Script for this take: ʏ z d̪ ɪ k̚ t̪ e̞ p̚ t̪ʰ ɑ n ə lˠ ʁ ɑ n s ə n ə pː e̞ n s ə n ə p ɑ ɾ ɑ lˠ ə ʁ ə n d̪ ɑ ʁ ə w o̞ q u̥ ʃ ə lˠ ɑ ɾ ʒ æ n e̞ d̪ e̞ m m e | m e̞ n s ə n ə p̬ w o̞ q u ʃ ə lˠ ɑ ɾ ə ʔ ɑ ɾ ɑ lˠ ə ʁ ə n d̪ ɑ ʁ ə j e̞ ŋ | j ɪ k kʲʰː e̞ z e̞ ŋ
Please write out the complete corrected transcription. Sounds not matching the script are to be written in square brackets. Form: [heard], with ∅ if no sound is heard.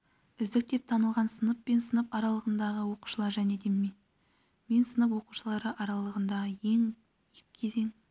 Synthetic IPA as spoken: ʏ z d̪ ɪ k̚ t̪ e̞ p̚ t̪ʰ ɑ n ə lˠ ʁ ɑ n s ə n ə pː e̞ n s ə n ə p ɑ ɾ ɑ lˠ ə ʁ ə n d̪ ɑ ʁ ə w o̞ q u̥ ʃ ə lˠ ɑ ɾ ʒ æ n e̞ d̪ e̞ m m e | m e̞ n s ə n ə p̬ w o̞ q u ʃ ə lˠ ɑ ɾ ə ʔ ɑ ɾ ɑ lˠ ə ʁ ə n d̪ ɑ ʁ ə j e̞ ŋ | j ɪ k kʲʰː e̞ z e̞ ŋ

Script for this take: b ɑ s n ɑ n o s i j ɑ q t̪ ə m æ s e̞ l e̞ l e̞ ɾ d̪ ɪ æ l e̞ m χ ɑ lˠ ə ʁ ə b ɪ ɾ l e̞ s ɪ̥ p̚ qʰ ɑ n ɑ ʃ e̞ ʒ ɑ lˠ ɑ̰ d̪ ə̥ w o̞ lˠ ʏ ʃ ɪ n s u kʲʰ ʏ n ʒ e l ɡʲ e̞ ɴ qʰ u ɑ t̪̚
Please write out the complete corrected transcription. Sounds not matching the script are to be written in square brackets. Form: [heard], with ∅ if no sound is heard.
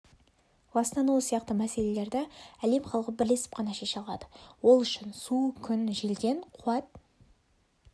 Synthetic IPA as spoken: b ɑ s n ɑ n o s i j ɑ q t̪ ə m æ s e̞ l e̞ l e̞ ɾ d̪ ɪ æ l e̞ m χ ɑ lˠ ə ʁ ə b ɪ ɾ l e̞ s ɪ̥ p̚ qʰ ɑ n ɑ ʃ e̞ [ʃ] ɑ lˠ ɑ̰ d̪ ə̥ w o̞ lˠ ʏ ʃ ɪ n s u kʲʰ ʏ n ʒ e l ɡʲ e̞ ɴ qʰ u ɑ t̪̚

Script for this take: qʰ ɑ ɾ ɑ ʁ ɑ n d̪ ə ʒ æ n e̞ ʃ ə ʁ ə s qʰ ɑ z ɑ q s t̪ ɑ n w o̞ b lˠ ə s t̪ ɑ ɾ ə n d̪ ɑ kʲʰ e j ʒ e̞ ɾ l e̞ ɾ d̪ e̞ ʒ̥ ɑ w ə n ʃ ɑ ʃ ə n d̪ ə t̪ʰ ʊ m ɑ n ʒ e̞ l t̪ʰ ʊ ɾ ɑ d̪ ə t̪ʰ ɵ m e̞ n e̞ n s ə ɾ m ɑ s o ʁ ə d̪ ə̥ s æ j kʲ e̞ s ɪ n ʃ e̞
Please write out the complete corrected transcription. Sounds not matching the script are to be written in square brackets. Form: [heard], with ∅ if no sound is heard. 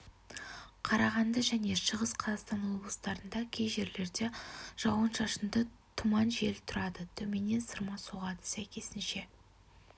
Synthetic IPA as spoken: qʰ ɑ ɾ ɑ ʁ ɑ n d̪ ə ʒ æ n e̞ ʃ ə ʁ ə s qʰ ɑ z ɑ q s t̪ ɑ n w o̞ b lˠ ə s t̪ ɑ ɾ ə n d̪ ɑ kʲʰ e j ʒ e̞ ɾ l e̞ ɾ d̪ e̞ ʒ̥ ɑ w ə n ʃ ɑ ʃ ə n d̪ ə t̪ʰ ʊ m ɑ n ʒ e̞ l t̪ʰ ʊ ɾ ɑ d̪ ə t̪ʰ ɵ m e̞ n e̞ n s ə ɾ m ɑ s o ʁ [ɑ] d̪ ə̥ s æ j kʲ e̞ s ɪ n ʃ e̞

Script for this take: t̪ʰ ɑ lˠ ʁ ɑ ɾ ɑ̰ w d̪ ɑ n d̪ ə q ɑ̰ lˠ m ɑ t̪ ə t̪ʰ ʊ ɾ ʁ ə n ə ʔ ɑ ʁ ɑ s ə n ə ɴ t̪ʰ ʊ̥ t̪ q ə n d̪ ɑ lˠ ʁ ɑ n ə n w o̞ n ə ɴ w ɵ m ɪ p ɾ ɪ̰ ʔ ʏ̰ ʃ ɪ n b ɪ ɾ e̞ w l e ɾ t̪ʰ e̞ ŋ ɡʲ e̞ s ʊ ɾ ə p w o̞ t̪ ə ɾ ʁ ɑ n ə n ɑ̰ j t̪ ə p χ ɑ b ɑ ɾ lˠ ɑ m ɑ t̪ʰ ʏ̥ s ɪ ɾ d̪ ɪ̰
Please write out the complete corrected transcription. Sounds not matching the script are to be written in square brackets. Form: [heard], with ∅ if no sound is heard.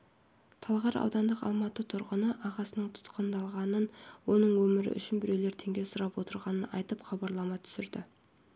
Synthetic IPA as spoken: t̪ʰ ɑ lˠ ʁ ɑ ɾ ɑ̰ w d̪ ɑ n d̪ ə q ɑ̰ lˠ m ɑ t̪ ə t̪ʰ ʊ ɾ ʁ ə n ə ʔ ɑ ʁ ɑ s ə n ə ɴ t̪ʰ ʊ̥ t̪ q ə n d̪ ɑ lˠ ʁ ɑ n ə n w o̞ n ə ɴ w ɵ m ɪ [∅] ɾ ɪ̰ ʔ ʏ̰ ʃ ɪ n b ɪ ɾ e̞ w l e ɾ t̪ʰ e̞ ŋ ɡʲ e̞ s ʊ ɾ [ɑ] p w o̞ t̪ ə ɾ ʁ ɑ n ə n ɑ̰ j t̪ ə p χ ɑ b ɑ ɾ lˠ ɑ m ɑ t̪ʰ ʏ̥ s ɪ ɾ d̪ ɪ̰

